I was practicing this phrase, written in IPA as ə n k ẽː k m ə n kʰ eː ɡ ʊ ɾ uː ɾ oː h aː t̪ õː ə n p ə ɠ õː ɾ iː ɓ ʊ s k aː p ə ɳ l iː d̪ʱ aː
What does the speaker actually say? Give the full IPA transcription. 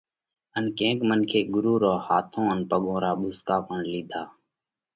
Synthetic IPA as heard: ə n k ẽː k m ə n kʰ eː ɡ ʊ ɾ uː ɾ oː h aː t̪ʰ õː ə n p ə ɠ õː ɾ aː ɓ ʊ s k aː p ə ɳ l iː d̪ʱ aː